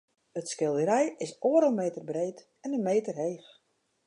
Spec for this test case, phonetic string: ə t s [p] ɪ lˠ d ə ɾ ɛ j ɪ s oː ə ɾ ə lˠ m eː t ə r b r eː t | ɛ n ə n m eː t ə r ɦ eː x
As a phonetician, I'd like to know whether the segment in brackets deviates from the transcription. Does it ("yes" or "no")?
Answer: yes